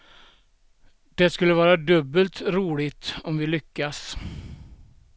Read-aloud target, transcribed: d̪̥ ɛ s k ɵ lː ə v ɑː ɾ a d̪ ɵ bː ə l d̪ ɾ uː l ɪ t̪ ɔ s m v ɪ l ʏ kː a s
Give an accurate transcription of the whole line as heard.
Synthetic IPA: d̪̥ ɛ s k ɵ lː ə v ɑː ɾ a d̪ ɵ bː ə l t̪ ɾ uː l ɪ t̪ ɔ m v ɪ l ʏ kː a s